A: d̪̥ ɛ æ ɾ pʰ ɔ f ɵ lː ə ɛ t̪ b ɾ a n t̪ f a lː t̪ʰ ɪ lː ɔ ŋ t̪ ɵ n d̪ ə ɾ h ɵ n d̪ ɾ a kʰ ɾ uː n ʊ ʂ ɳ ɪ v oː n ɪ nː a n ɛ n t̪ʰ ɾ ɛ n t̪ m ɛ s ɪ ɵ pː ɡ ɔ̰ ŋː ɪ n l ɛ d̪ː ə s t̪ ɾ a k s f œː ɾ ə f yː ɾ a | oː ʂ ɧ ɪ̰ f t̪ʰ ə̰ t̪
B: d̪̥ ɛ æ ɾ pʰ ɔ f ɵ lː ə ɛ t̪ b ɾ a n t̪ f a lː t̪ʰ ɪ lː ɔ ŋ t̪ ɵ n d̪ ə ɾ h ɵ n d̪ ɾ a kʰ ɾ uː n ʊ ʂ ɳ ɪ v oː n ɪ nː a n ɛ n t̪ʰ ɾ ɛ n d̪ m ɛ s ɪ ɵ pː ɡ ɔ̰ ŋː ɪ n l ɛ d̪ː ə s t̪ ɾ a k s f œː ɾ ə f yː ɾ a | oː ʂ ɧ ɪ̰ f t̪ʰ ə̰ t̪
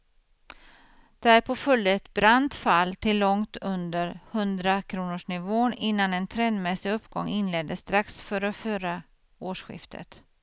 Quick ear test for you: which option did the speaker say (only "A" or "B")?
B